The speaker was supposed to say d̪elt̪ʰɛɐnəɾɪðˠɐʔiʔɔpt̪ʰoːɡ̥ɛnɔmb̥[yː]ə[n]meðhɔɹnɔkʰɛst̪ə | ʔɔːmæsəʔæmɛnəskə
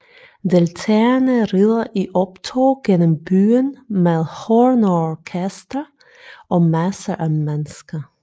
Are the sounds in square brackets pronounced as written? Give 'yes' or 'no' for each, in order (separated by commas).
yes, yes